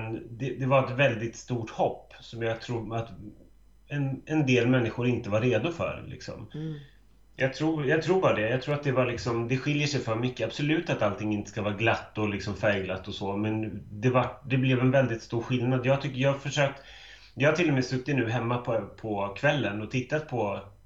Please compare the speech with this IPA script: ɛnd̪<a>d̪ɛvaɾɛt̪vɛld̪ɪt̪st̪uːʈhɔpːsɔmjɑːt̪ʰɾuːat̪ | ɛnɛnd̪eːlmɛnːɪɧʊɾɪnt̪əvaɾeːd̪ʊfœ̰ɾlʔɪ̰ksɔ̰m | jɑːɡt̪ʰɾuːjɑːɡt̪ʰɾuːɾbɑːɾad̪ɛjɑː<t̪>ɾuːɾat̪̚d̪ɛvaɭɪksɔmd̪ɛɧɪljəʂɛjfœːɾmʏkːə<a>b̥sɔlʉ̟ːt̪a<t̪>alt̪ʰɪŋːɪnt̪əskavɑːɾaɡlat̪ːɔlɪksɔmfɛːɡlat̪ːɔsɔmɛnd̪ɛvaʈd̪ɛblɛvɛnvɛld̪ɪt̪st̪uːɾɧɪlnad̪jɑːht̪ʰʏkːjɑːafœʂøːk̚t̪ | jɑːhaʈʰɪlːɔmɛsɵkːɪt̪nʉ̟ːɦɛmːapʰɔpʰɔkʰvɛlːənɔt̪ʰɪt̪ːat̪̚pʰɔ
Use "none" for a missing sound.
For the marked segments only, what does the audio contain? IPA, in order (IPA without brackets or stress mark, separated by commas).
ɛ, t̪ʰ, a, t̪